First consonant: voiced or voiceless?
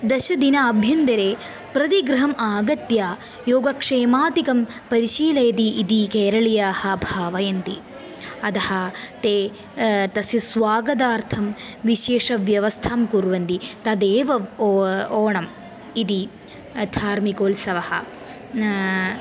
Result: voiced